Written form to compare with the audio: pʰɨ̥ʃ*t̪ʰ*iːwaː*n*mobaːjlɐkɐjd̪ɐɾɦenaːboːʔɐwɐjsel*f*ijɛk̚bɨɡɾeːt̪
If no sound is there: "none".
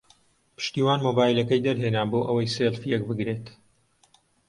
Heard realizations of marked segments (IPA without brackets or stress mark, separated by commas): t̪, n, f